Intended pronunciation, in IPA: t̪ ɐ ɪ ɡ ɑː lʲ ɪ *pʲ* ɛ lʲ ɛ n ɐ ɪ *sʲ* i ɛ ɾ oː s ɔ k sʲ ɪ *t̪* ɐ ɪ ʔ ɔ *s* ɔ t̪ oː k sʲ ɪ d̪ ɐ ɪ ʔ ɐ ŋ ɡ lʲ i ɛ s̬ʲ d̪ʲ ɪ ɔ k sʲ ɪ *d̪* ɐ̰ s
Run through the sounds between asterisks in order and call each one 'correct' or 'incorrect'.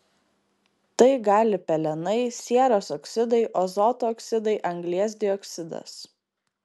correct, correct, incorrect, incorrect, correct

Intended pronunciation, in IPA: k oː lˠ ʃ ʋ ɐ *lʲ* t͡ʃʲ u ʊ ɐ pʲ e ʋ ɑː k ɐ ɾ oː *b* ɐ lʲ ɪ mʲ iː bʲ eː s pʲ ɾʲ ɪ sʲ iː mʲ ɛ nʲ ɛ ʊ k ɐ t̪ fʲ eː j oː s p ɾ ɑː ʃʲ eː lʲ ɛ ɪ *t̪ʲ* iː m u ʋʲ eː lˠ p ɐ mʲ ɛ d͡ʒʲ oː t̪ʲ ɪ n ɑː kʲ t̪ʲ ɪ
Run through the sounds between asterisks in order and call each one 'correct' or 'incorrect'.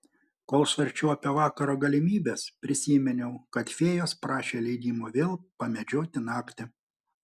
incorrect, incorrect, incorrect

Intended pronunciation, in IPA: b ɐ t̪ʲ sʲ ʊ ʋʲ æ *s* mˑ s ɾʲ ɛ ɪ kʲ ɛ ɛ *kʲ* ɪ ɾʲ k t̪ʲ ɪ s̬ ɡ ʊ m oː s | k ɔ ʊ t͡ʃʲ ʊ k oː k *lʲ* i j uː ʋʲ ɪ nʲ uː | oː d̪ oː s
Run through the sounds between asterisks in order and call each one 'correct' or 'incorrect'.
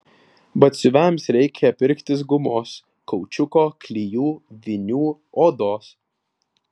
incorrect, incorrect, correct

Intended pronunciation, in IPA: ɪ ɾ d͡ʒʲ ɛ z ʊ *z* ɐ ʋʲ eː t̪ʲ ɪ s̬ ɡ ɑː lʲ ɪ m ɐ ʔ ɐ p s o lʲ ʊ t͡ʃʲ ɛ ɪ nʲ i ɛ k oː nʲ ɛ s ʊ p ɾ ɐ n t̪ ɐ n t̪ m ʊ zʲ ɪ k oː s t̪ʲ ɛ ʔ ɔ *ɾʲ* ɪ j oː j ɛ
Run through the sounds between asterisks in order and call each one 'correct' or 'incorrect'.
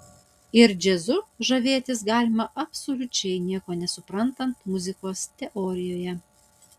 incorrect, correct

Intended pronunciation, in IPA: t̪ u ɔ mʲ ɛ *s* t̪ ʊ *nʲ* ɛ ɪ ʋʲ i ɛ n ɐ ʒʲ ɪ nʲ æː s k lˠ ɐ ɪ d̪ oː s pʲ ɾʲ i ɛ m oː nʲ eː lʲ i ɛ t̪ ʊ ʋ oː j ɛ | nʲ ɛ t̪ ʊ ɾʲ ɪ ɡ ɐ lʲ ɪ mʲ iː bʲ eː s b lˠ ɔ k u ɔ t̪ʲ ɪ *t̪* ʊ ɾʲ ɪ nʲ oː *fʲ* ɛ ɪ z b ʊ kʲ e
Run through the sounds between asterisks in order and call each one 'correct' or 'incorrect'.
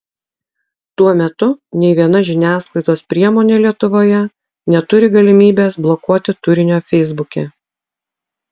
incorrect, correct, correct, correct

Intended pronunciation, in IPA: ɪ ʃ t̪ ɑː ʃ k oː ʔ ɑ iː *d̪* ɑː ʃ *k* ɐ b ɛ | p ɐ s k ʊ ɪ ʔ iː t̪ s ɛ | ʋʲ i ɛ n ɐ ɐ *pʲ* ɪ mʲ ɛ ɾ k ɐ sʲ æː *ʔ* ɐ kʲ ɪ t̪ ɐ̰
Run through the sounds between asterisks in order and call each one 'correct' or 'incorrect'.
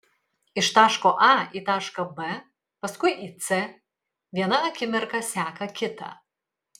incorrect, correct, incorrect, incorrect

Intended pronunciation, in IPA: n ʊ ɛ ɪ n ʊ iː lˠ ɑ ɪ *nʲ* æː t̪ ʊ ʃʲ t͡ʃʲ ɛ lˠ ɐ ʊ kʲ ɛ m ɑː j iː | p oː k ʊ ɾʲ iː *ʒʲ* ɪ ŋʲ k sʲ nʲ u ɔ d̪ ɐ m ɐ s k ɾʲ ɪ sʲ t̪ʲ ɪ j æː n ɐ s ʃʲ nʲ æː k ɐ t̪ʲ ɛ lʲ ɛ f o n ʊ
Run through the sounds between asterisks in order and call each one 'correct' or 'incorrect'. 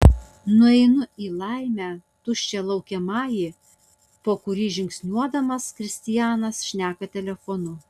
incorrect, correct

